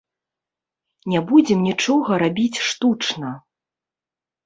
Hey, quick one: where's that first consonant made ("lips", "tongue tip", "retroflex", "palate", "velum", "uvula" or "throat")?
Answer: tongue tip